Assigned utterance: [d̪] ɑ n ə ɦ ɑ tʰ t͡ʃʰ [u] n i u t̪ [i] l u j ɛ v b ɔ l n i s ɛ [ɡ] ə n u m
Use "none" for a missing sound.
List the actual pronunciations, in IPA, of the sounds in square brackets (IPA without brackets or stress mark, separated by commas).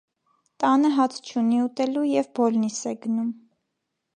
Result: t̪, u, ɛ, ɡ